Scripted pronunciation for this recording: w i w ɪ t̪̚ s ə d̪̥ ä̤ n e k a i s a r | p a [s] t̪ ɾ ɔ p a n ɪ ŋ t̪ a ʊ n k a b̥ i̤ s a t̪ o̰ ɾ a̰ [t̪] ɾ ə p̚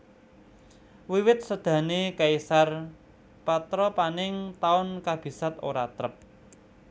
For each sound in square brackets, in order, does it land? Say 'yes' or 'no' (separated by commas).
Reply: no, yes